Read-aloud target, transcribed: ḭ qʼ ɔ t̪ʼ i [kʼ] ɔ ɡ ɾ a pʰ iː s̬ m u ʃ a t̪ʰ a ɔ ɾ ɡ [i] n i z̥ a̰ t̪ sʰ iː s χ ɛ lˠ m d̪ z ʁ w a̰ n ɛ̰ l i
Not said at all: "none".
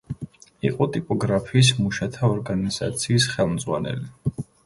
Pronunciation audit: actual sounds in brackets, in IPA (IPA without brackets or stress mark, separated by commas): pʼ, a